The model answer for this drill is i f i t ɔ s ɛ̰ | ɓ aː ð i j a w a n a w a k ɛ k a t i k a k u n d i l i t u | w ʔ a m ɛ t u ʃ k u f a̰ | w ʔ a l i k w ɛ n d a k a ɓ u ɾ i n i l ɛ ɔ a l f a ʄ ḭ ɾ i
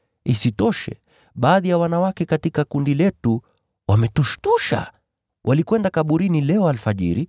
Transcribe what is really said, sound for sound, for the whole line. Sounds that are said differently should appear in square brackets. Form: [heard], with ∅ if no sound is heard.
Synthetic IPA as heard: i [s] i t ɔ [ʃ] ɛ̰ | ɓ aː ð i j a w a n a w a k ɛ k a t i k a k u n d i l [ɛ] t u | w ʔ a m ɛ t u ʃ [t] u [ʃ] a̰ | w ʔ a l i k w ɛ n d a k a ɓ u ɾ i n i l ɛ ɔ a l f a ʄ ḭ ɾ i